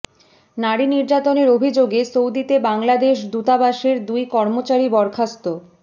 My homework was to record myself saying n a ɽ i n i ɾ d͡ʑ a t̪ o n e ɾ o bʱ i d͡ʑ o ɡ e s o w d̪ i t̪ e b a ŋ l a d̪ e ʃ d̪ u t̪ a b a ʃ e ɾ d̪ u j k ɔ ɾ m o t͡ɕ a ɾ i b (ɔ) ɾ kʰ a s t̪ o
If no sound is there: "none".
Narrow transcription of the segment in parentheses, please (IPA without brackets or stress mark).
ɔ